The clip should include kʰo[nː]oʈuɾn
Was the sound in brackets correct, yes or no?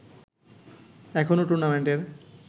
no